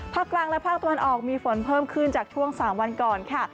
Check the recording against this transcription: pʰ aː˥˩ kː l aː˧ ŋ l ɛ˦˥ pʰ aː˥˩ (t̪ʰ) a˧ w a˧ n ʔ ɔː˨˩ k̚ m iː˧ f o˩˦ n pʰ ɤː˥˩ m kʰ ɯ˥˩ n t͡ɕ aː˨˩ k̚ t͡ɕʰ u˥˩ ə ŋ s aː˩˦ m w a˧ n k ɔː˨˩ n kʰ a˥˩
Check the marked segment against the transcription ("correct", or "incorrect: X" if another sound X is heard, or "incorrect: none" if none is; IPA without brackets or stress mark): incorrect: t̪